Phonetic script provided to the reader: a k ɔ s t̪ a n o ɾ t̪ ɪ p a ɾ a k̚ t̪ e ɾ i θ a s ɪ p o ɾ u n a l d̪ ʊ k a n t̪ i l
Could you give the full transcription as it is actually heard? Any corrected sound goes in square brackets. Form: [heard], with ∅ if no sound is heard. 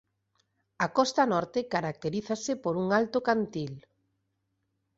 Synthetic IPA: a k ɔ s t̪ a n [ɔ] ɾ t̪ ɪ [k] a ɾ a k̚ t̪ e ɾ i θ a s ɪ p o ɾ u [ŋ] a l [t̪] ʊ k a n t̪ i l